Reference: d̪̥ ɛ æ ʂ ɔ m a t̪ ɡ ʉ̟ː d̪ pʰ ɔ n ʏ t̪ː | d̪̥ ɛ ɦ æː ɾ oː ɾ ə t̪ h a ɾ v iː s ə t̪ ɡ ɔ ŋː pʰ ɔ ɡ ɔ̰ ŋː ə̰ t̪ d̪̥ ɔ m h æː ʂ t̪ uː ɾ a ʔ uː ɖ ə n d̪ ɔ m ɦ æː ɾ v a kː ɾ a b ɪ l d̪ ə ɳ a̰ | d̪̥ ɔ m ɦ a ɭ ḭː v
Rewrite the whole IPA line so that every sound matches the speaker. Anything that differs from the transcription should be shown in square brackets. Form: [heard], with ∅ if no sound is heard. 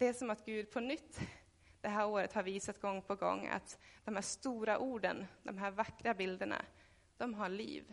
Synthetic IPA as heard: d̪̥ ɛ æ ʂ ɔ m a t̪ ɡ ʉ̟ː d̪ pʰ ɔ n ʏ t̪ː | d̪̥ ɛ ɦ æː ɾ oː ɾ ə t̪ h a ɾ v iː s [a] t̪ ɡ ɔ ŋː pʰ ɔ ɡ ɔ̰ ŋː [a̰] t̪ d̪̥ ɔ m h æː ʂ t̪ uː ɾ a ʔ uː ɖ ə n d̪ ɔ m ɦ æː ɾ v a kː ɾ a b ɪ l d̪ ə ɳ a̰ | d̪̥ ɔ m ɦ a ɭ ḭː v